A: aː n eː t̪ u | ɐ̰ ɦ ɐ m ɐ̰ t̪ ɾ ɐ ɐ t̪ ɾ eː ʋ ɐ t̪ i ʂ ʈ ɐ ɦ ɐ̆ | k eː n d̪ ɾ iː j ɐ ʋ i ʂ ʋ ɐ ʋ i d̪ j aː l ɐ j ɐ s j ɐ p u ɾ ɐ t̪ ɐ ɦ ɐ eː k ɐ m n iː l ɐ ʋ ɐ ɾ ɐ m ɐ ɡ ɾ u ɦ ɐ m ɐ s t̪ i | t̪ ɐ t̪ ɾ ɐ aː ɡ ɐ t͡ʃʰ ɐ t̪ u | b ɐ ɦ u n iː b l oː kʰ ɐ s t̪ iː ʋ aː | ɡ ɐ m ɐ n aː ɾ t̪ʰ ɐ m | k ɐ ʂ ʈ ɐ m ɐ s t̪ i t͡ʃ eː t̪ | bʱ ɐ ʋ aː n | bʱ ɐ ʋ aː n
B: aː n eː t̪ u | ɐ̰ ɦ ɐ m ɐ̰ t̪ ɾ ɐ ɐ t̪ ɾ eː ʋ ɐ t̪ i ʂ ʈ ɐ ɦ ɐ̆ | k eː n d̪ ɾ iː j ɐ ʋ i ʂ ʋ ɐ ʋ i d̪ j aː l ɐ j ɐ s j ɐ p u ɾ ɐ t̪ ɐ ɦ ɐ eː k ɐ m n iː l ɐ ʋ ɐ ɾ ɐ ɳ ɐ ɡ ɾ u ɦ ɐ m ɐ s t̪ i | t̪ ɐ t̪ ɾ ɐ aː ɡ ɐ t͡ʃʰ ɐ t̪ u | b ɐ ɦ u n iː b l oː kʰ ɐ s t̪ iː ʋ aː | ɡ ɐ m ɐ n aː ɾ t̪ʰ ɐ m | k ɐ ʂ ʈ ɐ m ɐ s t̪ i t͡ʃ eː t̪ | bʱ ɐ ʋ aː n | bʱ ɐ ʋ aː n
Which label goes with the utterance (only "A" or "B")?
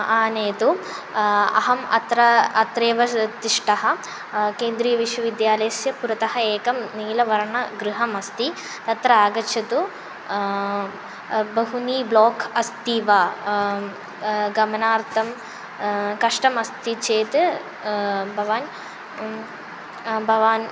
B